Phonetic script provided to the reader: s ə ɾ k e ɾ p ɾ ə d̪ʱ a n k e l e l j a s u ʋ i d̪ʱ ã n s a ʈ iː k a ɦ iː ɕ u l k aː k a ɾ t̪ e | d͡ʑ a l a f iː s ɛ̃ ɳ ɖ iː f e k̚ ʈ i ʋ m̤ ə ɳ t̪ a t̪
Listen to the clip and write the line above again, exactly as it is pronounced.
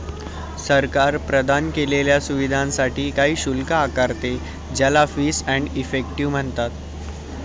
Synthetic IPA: s ə ɾ k a ɾ p ɾ ə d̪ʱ a n k e l e l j a s u ʋ i d̪ʱ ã n s a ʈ iː k a ɦ iː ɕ u l k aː k a ɾ t̪ e | d͡ʑ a l a f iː s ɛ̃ ɳ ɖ i f e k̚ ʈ i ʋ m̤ ə ɳ t̪ a t̪